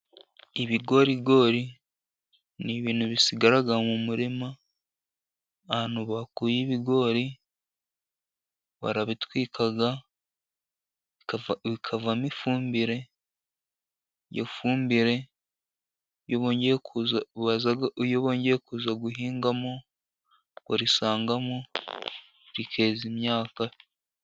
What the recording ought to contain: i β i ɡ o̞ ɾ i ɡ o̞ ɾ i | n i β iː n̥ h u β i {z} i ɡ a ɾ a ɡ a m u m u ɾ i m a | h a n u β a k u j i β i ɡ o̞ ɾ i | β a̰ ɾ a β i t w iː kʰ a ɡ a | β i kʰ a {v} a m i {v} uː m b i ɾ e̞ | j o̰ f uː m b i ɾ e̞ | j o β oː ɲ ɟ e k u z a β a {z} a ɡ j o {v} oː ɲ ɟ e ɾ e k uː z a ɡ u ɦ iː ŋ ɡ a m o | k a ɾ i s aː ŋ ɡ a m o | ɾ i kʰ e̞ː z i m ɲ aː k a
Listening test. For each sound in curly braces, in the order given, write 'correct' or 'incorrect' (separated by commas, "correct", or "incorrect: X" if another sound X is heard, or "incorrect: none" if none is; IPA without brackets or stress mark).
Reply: incorrect: s, correct, incorrect: f, correct, incorrect: β